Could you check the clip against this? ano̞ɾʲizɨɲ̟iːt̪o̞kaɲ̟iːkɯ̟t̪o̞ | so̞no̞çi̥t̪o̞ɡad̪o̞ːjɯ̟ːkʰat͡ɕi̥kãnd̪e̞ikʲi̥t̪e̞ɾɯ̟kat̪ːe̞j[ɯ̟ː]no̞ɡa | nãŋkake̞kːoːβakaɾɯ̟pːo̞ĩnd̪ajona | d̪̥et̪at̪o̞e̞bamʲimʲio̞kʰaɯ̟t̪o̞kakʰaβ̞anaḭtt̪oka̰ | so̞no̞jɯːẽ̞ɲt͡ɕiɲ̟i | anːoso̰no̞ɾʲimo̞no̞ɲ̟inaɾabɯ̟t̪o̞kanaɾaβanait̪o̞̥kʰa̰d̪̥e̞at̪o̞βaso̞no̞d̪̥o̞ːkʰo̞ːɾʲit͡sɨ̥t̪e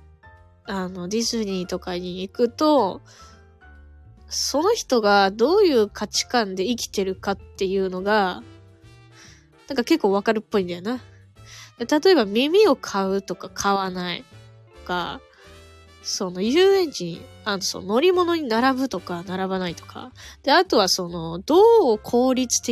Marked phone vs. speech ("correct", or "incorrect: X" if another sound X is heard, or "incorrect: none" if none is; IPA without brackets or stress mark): correct